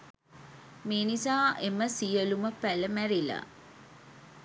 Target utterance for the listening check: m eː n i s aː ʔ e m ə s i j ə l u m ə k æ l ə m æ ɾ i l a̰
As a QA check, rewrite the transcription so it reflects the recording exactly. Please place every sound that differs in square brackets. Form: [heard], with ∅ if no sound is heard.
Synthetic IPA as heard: m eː n i s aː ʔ e m ə s i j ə l u m ə [p] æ l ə m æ ɾ i l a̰